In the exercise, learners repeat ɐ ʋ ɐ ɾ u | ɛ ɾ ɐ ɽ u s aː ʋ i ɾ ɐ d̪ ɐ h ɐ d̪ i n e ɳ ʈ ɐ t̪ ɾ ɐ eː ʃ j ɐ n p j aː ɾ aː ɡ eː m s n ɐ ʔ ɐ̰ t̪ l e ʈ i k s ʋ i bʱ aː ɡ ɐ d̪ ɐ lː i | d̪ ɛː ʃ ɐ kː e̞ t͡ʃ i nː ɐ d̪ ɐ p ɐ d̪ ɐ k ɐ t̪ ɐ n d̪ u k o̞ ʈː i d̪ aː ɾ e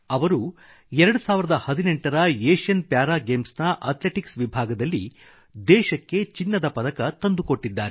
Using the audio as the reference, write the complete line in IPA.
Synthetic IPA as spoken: ɐ ʋ ɐ ɾ u | ɛ ɾ ɐ ɽ u s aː ʋ i ɾ ɐ d̪ ɐ h ɐ d̪ i n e ɳ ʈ ɐ ɾ ɐ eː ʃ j ɐ n p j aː ɾ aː ɡ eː m s n ɐ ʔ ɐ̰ t̪ l e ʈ i k s ʋ i bʱ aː ɡ ɐ d̪ ɐ lː i | d̪ ɛː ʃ ɐ kː e̞ t͡ʃ i nː ɐ d̪ ɐ p ɐ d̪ ɐ k ɐ t̪ ɐ n d̪ u k o̞ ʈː i d̪ː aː ɾ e